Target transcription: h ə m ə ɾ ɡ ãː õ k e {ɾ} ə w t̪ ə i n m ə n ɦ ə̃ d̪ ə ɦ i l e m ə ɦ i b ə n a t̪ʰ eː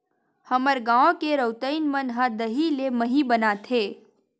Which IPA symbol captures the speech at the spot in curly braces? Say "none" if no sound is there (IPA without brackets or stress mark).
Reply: ɾ